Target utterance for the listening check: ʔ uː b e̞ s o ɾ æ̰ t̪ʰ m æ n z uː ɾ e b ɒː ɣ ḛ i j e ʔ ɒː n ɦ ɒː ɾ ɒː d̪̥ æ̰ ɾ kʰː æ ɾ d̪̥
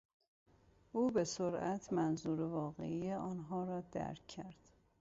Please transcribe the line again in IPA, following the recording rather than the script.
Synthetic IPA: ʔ uː b e̞ s o ɾ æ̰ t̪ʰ m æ n z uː ɾ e v ɒː ɣ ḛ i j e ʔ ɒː n ɦ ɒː ɾ ɒː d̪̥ æ̰ ɾ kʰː æ ɾ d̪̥